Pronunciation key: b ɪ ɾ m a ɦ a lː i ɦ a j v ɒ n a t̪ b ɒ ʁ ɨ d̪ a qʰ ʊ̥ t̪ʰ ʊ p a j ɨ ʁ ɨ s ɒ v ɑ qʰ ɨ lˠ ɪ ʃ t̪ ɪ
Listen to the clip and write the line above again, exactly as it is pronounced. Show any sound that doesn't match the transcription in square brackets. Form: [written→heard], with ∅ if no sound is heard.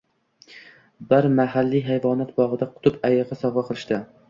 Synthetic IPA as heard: b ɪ ɾ m a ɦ a lː i ɦ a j v ɒ n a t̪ b ɒ ʁ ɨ d̪ a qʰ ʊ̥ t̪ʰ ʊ p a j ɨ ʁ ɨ s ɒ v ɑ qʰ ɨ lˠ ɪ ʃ t̪ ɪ